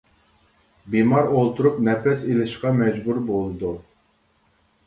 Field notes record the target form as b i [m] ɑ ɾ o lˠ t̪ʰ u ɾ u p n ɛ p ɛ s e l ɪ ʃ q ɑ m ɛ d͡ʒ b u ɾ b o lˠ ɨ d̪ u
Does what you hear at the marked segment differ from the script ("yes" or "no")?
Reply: no